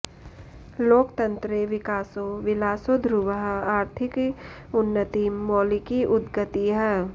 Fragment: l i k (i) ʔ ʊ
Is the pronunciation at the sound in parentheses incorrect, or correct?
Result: correct